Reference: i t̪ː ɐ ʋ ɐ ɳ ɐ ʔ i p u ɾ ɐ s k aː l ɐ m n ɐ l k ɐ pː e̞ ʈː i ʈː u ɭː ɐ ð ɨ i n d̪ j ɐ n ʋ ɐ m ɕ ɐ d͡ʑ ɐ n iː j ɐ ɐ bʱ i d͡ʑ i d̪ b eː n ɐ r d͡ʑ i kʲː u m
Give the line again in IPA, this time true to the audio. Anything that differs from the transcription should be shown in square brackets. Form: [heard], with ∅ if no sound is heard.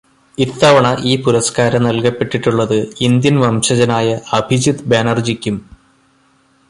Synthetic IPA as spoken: i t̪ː ɐ ʋ ɐ ɳ ɐ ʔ [iː] p u ɾ ɐ s k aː [ɾ] ɐ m n ɐ l k ɐ pː e̞ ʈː i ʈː u ɭː ɐ ð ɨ i n d̪ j ɐ n ʋ ɐ m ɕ ɐ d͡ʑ ɐ n [aː] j ɐ ɐ bʱ i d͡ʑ i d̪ b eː n ɐ r d͡ʑ i kʲː u m